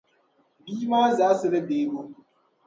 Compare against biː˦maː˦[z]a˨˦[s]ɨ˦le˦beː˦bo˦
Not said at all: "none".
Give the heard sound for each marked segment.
z, s

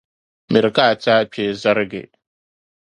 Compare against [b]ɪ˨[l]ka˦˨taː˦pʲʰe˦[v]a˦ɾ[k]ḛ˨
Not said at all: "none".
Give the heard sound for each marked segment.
m, ɾ, z, ɡ

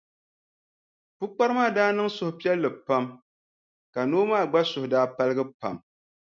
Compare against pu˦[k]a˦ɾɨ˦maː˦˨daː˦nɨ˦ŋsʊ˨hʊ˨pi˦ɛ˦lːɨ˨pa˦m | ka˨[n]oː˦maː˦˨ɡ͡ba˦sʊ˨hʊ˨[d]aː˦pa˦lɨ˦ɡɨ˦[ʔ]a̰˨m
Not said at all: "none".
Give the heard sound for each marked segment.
k͡p, n, d, p

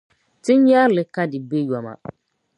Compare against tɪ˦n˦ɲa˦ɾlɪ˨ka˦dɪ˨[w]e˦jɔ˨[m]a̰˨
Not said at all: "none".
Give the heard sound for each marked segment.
b, m

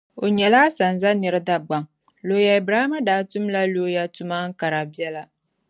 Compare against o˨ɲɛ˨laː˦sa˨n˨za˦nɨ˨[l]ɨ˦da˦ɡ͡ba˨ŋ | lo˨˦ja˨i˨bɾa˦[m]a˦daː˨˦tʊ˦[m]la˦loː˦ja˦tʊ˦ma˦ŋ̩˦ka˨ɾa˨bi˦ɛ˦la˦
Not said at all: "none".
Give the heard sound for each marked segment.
ɾ, m, m

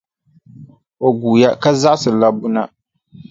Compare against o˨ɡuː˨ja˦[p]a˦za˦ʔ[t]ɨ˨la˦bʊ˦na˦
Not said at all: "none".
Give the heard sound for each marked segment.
k, s

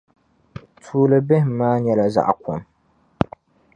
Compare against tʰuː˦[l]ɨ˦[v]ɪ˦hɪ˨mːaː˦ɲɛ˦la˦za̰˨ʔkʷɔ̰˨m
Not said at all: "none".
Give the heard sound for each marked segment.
l, b

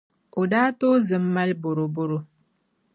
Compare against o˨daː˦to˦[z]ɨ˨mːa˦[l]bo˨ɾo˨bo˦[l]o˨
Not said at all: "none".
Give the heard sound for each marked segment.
z, l, ɾ

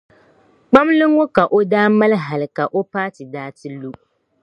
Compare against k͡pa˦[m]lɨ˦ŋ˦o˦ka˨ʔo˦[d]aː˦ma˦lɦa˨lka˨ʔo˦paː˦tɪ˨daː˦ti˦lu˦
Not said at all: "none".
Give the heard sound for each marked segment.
m, d

